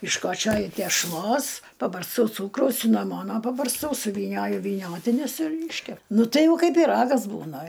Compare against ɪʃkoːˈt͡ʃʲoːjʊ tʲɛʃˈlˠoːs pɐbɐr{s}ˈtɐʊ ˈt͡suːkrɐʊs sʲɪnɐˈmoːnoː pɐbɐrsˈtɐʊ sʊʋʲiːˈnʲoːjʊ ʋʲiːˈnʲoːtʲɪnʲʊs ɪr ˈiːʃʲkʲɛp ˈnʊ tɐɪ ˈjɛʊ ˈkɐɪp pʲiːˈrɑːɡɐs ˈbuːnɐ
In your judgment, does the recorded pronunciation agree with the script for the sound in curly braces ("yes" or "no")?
yes